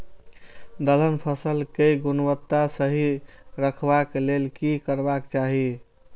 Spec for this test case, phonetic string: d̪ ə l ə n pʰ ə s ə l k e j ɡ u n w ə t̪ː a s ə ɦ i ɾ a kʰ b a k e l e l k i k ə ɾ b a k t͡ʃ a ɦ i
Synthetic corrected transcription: d̪ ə l ə n pʰ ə s ə l k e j ɡ u n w ə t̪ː a s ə ɦ i ɾ ə kʰ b a k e l e l k i k ə ɾ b a k t͡ʃ a ɦ i